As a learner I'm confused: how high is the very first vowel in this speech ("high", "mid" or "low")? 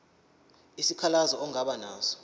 high